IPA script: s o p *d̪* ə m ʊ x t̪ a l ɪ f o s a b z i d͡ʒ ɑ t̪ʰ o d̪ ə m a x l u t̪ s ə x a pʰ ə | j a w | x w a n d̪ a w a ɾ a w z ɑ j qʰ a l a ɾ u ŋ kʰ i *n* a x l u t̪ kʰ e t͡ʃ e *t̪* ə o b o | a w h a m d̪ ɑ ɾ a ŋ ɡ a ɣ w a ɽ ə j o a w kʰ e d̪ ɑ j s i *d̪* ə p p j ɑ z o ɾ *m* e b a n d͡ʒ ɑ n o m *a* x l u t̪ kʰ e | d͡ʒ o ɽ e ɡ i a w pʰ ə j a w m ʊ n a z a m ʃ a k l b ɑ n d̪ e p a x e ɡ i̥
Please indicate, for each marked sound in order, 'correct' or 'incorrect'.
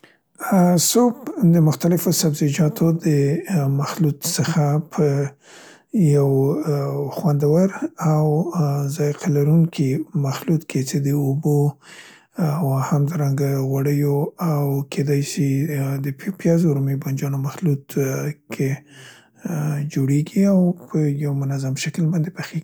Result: correct, incorrect: m, incorrect: d̪, correct, correct, correct

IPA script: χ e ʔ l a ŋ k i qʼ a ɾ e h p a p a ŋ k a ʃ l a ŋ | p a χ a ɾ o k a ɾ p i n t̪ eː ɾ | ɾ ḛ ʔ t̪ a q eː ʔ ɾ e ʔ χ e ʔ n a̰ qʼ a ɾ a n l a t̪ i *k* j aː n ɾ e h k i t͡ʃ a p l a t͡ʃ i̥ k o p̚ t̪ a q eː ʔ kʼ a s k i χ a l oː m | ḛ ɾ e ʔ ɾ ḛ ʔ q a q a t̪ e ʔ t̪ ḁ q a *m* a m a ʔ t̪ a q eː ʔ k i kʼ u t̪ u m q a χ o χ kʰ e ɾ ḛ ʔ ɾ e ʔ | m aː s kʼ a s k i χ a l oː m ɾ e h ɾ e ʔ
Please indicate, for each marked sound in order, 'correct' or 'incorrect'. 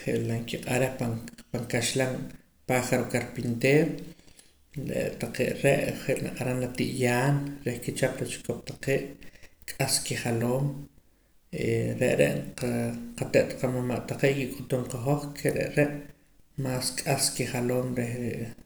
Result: incorrect: ʔ, correct

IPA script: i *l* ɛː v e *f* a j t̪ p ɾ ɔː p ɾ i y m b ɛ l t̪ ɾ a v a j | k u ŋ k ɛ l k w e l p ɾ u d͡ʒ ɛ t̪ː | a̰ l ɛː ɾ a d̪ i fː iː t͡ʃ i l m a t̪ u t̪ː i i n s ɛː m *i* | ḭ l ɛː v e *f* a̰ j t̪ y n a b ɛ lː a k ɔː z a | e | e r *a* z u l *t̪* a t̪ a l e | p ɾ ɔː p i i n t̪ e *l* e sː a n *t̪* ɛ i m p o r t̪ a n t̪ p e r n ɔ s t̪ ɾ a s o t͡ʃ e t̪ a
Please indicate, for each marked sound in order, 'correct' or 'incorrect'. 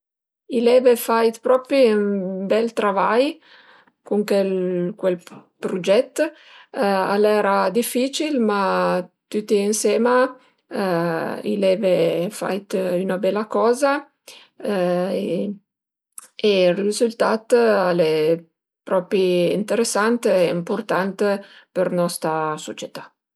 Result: correct, correct, incorrect: a, correct, incorrect: i, correct, incorrect: ɾ, correct

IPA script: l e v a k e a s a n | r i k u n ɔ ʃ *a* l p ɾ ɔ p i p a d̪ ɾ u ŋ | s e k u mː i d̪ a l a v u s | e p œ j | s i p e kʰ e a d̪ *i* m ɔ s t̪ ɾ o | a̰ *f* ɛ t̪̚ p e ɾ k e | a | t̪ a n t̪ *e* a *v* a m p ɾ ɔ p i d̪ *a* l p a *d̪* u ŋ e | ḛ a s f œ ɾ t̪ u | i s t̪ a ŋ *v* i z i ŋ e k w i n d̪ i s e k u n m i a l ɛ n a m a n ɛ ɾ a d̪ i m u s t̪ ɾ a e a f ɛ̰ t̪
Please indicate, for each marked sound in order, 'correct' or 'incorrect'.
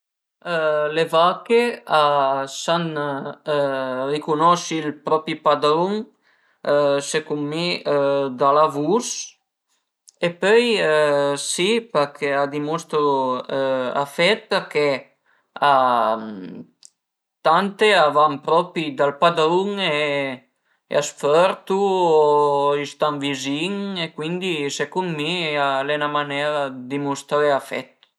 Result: incorrect: i, correct, correct, correct, correct, correct, correct, correct

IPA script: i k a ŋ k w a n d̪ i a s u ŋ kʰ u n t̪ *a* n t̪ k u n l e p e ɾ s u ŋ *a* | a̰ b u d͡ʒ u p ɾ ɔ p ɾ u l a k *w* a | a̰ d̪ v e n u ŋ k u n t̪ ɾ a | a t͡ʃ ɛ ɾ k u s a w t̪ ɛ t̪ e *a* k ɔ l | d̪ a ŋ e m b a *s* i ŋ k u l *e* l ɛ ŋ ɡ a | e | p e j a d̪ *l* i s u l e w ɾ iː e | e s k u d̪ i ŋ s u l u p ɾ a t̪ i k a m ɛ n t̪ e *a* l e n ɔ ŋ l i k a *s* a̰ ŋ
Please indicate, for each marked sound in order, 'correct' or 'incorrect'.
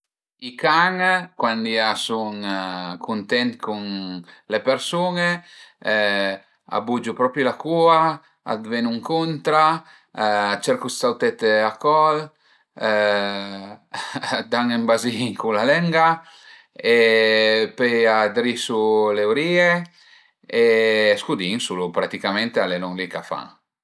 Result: incorrect: ɛ, incorrect: e, incorrect: u, correct, incorrect: z, incorrect: a, incorrect: ɾ, correct, incorrect: f

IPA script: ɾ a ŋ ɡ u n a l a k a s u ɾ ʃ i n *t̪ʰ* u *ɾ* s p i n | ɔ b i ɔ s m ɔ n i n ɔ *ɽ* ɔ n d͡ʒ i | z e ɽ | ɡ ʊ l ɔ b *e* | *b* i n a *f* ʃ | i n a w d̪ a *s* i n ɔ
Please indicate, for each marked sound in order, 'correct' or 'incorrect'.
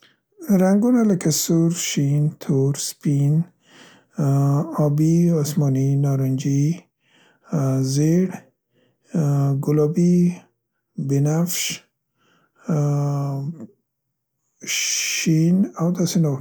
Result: correct, correct, incorrect: ɾ, incorrect: i, correct, correct, correct

